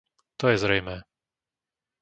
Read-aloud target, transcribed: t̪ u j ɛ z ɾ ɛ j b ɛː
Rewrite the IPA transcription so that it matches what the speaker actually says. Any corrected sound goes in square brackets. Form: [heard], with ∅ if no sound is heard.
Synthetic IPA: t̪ [ɔ] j ɛ z ɾ ɛ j [m] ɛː